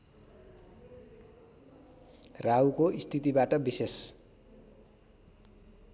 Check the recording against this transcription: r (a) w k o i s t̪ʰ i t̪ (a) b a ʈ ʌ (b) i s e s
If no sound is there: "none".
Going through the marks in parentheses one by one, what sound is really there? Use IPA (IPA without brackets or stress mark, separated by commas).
a, i, b